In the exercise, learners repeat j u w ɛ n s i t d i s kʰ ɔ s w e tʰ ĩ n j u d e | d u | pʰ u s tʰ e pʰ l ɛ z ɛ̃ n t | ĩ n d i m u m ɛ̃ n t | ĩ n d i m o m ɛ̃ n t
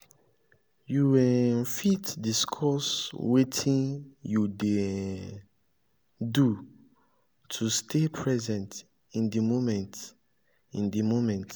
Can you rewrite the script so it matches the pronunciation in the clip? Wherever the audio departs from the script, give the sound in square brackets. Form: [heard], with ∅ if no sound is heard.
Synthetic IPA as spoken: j u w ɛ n [f] i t d i s kʰ ɔ s w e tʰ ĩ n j u d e | d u | [tʰ] u s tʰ e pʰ [ɹ] ɛ z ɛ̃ n t | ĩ n d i m [o] m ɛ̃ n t | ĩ n d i m o m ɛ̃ n t